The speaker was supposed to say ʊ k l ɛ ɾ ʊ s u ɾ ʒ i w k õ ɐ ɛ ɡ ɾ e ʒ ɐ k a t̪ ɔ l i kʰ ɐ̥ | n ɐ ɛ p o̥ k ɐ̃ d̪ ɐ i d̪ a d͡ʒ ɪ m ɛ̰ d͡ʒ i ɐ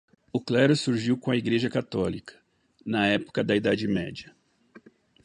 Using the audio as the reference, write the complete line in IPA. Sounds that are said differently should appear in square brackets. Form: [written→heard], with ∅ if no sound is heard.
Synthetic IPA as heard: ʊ k l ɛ ɾ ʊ s u ɾ ʒ i w k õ ɐ [ɛ→i] ɡ ɾ e ʒ ɐ k a t̪ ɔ l i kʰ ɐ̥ | n ɐ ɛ p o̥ k [ɐ̃→ɐ] d̪ ɐ i d̪ a d͡ʒ ɪ m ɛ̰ d͡ʒ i ɐ